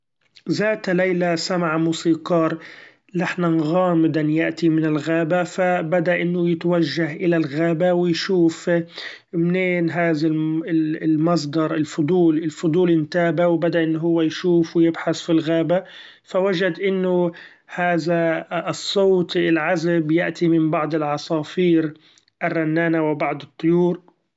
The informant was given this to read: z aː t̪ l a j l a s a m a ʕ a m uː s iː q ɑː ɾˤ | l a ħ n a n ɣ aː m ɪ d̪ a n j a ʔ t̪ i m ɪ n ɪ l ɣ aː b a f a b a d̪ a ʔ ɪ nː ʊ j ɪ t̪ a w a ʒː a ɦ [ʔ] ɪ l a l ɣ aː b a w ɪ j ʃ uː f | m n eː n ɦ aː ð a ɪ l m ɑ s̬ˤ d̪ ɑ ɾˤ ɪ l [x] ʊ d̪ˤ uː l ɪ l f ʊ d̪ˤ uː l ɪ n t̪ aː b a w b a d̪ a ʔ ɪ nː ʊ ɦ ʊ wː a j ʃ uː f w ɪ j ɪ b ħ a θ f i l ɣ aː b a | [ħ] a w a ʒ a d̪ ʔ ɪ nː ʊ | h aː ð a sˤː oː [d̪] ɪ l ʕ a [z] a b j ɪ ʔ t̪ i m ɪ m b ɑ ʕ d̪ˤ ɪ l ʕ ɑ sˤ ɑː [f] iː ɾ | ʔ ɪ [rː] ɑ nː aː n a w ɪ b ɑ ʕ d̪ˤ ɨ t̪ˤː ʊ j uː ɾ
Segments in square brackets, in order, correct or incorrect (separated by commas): correct, incorrect, incorrect, incorrect, correct, correct, correct